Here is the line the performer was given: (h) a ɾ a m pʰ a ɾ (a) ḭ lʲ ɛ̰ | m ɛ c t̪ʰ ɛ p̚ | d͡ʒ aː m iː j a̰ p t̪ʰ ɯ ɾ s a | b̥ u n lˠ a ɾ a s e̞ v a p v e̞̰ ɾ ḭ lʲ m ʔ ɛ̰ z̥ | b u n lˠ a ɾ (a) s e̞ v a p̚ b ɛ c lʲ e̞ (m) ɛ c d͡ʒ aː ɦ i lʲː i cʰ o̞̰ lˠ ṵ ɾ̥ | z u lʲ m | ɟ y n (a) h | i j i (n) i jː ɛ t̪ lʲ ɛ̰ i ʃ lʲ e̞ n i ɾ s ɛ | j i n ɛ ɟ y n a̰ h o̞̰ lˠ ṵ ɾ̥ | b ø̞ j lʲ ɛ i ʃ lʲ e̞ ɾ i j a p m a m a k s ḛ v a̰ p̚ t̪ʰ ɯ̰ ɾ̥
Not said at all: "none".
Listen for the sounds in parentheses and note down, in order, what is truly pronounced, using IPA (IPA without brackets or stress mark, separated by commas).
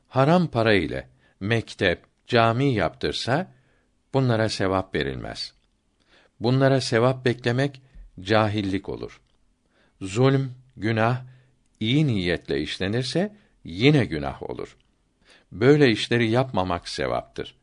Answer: h, a, a, m, a, n